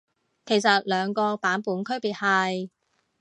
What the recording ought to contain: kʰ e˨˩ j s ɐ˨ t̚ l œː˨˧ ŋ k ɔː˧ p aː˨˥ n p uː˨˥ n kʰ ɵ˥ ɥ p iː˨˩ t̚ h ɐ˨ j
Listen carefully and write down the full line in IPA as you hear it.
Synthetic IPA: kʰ e˨˩ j s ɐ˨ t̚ l œː˨˧ ŋ k ɔː˧ p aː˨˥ n p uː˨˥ n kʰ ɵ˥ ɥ p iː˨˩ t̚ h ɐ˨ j